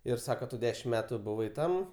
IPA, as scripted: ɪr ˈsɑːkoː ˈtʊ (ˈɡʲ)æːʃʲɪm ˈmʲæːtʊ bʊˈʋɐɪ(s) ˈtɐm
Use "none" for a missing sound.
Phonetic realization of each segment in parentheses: dʲ, none

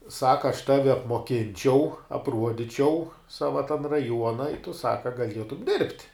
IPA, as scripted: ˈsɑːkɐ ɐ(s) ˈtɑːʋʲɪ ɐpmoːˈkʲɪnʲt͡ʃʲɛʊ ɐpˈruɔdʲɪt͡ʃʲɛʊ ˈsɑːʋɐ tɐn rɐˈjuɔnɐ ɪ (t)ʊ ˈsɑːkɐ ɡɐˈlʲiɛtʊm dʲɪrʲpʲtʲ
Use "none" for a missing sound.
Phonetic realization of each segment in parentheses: ʃ, t

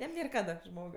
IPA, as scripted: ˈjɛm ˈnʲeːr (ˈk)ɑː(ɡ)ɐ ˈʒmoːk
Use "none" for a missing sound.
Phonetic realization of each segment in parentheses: k, d

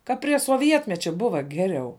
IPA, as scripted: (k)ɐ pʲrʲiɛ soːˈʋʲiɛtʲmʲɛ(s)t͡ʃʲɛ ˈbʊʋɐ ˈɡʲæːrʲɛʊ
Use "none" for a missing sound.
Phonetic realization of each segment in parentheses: k, none

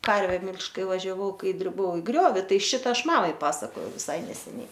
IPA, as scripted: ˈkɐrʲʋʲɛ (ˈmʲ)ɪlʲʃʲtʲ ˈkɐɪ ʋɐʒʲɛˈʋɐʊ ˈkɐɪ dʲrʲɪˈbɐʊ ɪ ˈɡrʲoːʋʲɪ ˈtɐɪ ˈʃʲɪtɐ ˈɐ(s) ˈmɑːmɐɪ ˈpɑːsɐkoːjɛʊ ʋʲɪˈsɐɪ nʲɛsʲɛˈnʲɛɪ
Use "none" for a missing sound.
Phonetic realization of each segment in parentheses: mʲ, ʃ

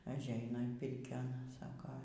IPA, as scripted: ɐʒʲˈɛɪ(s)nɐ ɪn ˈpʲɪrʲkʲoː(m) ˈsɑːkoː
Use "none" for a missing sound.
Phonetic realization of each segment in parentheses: none, n

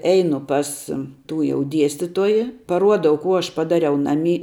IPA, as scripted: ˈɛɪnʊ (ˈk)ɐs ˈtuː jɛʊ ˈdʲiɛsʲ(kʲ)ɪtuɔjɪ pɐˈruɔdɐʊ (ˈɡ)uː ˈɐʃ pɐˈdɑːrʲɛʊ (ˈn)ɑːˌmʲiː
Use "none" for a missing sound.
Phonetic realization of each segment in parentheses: p, tʲ, k, n

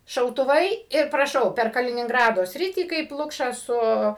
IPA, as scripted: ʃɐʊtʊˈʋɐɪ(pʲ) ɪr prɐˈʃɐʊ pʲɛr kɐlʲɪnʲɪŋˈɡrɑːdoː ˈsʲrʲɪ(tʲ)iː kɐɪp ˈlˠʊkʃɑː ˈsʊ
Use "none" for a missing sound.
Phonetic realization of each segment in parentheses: none, tʲ

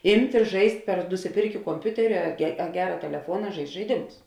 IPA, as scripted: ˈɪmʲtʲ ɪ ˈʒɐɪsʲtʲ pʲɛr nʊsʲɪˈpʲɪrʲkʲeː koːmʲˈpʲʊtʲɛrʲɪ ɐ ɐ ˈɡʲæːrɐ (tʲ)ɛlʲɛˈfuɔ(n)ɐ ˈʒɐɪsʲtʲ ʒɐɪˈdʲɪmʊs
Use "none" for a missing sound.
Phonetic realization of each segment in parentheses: tʲ, n

